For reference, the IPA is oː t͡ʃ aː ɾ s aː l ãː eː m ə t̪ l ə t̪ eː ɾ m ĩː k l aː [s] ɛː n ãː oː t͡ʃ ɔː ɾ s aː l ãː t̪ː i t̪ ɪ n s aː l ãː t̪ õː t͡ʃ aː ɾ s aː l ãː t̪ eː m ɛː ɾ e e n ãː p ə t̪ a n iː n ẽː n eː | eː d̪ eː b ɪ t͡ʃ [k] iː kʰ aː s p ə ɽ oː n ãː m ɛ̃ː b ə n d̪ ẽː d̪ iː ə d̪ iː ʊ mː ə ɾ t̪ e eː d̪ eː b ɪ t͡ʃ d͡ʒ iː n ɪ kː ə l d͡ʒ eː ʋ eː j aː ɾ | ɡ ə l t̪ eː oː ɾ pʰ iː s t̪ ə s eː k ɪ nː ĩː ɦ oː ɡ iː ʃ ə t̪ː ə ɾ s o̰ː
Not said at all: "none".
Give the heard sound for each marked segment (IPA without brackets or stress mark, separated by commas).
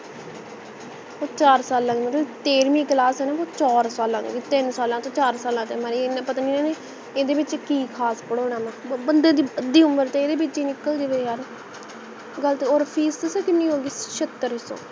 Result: s, k